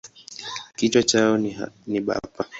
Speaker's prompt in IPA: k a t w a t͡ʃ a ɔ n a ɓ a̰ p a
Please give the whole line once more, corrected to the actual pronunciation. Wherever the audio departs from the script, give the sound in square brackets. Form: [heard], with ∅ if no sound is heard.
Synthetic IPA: k [i] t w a t͡ʃ a ɔ n [i] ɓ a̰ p a